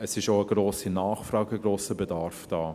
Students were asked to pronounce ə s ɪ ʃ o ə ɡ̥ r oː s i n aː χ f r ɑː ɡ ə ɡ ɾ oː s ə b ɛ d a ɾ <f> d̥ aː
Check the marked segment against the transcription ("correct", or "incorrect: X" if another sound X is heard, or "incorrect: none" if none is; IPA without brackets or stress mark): correct